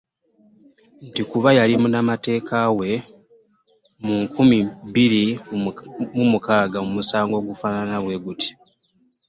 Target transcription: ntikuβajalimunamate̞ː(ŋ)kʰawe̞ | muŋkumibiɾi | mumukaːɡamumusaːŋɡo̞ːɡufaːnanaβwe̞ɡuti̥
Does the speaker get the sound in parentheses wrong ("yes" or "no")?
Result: yes